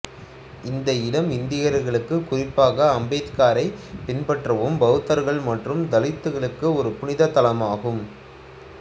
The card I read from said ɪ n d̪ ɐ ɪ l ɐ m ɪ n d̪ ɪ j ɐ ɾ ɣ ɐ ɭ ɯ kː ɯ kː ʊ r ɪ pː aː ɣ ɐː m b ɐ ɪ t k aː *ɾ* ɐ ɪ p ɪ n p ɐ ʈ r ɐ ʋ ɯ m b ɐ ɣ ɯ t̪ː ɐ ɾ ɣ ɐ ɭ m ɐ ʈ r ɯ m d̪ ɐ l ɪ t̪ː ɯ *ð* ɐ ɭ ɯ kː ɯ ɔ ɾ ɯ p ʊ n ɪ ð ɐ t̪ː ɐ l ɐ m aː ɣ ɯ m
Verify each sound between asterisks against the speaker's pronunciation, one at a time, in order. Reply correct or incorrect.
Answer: correct, incorrect

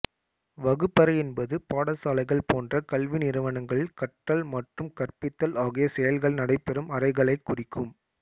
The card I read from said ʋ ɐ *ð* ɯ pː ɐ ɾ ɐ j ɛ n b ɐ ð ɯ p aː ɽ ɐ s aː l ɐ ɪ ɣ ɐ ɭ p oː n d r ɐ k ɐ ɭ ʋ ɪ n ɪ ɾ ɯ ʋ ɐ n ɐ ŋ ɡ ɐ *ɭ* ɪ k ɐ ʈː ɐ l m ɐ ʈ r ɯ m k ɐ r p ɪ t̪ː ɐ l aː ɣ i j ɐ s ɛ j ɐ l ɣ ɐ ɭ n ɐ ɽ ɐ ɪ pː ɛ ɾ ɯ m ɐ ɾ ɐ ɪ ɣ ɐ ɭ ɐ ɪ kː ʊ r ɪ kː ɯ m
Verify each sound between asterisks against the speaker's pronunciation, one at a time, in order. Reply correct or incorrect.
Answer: incorrect, correct

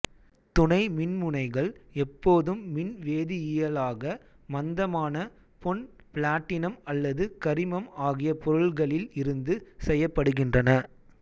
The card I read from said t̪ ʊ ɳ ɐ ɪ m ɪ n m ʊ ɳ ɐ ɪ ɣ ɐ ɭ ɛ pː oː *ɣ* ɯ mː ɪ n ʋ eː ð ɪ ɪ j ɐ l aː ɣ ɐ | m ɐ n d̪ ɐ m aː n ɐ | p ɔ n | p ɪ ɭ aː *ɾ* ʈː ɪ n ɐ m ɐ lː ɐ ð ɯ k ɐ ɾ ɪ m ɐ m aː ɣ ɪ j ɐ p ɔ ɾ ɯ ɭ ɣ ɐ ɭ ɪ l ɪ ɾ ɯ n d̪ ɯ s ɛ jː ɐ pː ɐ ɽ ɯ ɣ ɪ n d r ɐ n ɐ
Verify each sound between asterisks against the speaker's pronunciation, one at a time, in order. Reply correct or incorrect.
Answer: incorrect, incorrect

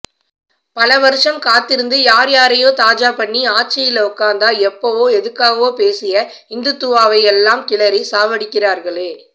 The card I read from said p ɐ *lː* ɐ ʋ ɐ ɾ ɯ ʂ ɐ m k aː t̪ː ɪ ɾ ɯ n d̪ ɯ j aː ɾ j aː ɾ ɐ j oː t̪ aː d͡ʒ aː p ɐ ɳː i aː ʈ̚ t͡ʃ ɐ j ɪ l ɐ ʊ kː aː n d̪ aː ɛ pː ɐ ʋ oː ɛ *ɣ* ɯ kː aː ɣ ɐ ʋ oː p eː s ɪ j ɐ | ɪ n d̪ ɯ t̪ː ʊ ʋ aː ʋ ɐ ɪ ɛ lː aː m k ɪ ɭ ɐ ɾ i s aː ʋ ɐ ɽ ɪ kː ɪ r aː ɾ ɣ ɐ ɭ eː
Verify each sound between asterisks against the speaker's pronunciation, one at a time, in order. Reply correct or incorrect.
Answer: incorrect, incorrect

